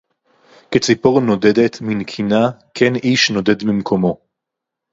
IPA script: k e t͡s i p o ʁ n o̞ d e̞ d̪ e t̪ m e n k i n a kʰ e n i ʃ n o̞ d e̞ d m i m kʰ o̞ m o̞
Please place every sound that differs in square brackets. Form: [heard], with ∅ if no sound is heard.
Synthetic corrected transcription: k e t͡s i p o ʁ n o̞ d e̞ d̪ e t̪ m [i] n [kʰ] i n a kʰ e n i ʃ n o̞ d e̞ d m i m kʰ o̞ m o̞